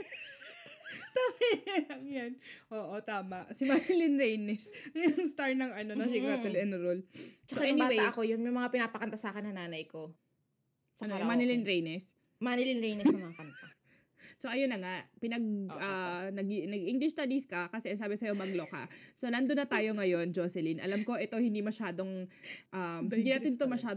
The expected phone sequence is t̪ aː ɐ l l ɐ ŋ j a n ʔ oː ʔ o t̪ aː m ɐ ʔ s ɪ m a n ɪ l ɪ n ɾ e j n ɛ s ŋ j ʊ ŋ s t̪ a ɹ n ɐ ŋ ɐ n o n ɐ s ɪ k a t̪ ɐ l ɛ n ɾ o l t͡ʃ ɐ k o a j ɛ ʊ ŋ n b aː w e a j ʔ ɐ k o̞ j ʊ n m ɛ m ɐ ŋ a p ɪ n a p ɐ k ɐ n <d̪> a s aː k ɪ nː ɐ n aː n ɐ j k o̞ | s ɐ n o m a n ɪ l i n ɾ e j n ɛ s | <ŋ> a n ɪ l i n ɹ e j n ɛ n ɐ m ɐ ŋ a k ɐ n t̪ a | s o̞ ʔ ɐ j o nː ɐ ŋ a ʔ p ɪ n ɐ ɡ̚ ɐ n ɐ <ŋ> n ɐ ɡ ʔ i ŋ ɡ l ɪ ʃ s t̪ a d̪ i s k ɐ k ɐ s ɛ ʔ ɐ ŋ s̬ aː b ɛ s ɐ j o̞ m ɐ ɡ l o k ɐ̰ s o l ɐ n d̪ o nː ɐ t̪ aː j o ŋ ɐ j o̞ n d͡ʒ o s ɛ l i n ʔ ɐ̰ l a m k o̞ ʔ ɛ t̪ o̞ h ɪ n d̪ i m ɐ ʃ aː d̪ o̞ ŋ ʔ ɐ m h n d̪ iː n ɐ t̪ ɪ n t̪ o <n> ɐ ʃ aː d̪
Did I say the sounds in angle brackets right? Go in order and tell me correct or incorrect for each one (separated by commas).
incorrect, incorrect, incorrect, incorrect